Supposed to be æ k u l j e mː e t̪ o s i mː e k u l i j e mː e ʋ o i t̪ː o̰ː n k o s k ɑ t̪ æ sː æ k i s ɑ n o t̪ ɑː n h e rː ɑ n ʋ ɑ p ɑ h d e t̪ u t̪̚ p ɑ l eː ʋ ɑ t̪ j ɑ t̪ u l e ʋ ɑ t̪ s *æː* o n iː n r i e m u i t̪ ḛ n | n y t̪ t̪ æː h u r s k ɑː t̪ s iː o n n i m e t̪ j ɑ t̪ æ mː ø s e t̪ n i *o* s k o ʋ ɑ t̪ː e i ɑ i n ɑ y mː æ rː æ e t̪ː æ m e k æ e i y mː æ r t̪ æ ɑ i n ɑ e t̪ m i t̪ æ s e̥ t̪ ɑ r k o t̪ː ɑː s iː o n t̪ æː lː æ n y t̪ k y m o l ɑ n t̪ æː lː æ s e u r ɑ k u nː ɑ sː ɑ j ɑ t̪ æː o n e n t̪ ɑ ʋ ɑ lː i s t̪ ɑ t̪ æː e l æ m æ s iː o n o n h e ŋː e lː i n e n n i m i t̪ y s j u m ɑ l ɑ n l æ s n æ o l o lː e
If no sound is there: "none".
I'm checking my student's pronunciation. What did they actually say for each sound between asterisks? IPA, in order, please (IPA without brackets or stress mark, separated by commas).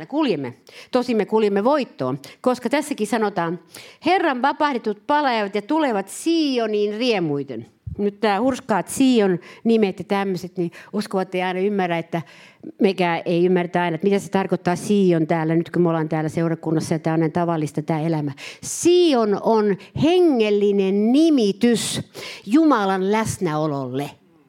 iː, u